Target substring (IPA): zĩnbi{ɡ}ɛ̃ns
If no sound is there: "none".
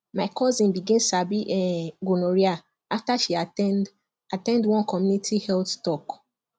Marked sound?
ɡ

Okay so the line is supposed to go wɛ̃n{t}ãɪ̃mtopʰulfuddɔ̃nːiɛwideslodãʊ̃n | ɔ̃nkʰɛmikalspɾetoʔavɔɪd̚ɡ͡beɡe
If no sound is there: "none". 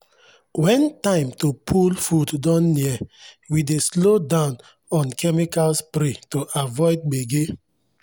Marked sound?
t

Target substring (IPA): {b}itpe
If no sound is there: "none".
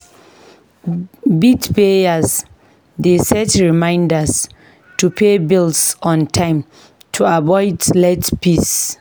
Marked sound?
b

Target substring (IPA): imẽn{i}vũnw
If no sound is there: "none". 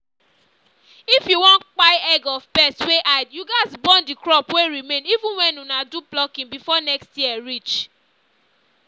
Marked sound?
i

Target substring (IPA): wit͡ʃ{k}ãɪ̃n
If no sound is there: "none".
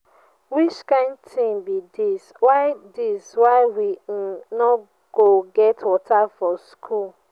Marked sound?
k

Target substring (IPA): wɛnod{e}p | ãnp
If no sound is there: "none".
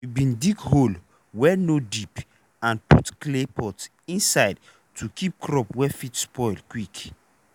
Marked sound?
i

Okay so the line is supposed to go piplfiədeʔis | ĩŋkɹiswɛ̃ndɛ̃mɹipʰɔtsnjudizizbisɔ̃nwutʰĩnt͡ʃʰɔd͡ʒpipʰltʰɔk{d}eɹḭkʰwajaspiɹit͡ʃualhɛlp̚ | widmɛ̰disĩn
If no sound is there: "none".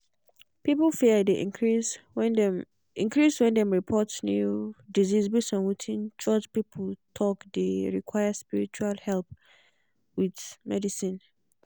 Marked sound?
d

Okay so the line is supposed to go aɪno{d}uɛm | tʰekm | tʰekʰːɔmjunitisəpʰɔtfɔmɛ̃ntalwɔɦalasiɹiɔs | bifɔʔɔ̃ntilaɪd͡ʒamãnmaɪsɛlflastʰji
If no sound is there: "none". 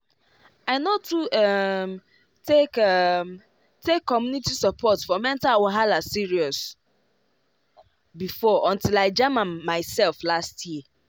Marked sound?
t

